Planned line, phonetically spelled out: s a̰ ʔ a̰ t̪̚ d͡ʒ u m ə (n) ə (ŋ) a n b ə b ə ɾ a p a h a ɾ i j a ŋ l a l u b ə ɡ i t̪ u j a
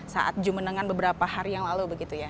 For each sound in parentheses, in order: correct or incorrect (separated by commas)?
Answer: correct, correct